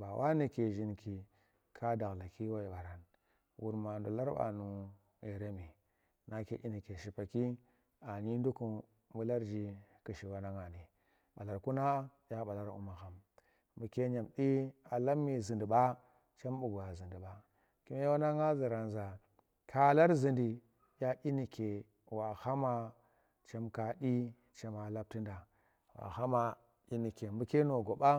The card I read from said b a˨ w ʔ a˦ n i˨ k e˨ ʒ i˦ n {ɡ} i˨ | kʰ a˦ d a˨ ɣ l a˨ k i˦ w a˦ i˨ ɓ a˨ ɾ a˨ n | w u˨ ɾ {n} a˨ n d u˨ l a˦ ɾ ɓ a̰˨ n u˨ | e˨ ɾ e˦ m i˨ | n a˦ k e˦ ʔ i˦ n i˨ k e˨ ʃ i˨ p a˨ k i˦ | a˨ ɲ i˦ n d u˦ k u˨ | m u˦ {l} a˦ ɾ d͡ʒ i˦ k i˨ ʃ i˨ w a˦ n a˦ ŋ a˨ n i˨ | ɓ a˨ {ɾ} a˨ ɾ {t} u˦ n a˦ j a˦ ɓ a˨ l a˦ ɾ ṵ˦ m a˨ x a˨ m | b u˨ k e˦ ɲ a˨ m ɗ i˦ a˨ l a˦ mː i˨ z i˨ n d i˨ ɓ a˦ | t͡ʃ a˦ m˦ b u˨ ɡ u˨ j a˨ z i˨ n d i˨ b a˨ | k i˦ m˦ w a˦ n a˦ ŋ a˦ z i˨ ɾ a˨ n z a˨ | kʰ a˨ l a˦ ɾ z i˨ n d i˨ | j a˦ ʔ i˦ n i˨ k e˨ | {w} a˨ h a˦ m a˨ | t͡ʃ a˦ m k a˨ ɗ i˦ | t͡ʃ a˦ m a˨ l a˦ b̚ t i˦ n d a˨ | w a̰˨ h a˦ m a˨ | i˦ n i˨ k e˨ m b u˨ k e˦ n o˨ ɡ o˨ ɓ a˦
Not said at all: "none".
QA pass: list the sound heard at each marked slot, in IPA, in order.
k, m, l, l, k, w

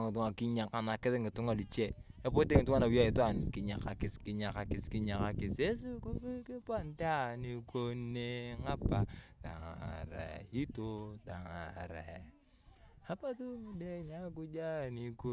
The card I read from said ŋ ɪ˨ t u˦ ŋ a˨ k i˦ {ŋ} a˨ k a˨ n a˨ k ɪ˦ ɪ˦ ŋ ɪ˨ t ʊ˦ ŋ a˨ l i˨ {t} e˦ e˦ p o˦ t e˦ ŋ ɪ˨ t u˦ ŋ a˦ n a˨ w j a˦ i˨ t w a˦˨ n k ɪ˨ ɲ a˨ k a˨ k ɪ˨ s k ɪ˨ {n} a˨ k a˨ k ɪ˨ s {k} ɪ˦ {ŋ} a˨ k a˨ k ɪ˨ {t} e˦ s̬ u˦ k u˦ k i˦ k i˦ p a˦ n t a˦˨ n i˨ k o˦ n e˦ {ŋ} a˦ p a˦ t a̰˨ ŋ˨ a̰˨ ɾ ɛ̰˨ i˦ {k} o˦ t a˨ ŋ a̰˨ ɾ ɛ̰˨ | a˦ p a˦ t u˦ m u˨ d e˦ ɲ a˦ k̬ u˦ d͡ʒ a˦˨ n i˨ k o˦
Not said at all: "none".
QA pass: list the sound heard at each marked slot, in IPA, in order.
ɲ, t͡ʃ, ɲ, k, ɲ, s, ŋ, t

